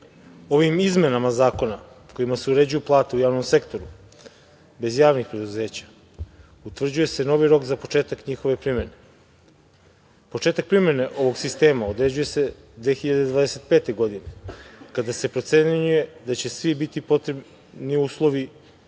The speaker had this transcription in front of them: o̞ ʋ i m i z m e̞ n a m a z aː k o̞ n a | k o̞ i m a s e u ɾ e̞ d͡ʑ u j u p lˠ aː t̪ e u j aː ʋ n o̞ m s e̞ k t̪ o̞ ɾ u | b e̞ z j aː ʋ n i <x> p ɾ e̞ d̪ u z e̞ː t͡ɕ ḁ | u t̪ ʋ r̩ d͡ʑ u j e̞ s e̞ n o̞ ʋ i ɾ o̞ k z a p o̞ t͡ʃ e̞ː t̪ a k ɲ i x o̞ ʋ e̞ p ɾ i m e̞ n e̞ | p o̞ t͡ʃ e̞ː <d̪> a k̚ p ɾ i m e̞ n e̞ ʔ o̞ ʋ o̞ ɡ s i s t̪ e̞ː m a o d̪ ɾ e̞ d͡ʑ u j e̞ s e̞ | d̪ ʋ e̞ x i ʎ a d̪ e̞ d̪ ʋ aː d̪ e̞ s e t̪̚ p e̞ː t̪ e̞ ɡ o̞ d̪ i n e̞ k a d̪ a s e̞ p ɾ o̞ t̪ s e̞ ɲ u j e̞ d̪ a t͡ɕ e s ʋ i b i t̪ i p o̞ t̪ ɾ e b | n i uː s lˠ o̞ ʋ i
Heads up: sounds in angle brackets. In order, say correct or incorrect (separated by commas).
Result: correct, incorrect